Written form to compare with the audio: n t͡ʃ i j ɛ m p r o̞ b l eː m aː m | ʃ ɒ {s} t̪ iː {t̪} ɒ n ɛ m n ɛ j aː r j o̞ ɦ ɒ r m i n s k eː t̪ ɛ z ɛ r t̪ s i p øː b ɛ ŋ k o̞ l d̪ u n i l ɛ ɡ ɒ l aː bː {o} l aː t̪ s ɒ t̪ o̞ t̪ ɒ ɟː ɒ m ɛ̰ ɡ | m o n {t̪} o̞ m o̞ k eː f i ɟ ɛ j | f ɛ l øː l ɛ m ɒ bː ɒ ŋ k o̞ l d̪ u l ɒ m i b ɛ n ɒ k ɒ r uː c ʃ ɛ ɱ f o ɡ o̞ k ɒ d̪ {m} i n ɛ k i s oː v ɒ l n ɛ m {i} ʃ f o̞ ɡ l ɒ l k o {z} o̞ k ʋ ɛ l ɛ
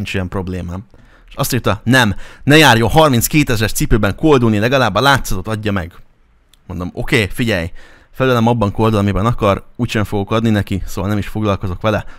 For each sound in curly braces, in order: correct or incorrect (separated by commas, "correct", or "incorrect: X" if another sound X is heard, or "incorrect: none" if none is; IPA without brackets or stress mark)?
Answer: correct, correct, incorrect: ɒ, incorrect: d̪, incorrect: n, correct, correct